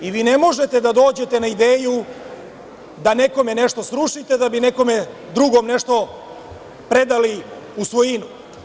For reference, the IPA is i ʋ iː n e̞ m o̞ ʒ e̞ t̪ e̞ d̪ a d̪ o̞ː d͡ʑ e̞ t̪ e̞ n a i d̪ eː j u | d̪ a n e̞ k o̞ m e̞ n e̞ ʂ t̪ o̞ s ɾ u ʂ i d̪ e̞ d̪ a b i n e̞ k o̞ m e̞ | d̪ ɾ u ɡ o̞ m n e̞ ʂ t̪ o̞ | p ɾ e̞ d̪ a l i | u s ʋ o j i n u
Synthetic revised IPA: i ʋ iː n e̞ m o̞ ʒ e̞ t̪ e̞ d̪ a d̪ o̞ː d͡ʑ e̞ t̪ e̞ n a i d̪ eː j u | d̪ a n e̞ k o̞ m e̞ n e̞ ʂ t̪ o̞ s ɾ u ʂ i t̪ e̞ d̪ a b i n e̞ k o̞ m e̞ | d̪ ɾ u ɡ o̞ m n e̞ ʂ t̪ o̞ | p ɾ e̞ d̪ a l i | u s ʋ o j i n u